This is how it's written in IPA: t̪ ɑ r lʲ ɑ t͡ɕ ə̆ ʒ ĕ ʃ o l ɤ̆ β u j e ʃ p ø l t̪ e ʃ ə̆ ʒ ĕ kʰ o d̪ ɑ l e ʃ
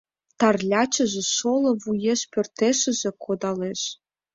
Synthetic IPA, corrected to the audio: t̪ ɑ r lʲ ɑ t͡ɕ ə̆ ʒ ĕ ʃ o l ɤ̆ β u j e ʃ p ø r t̪ e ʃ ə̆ ʒ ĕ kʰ o d̪ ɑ l e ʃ